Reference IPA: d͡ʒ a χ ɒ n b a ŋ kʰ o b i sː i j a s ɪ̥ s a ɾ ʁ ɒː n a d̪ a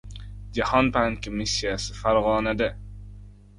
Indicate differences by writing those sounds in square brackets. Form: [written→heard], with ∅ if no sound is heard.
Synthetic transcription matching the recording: d͡ʒ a [χ→h] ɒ n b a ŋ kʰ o [b→m] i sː i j a s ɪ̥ [s→f] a ɾ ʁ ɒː n a d̪ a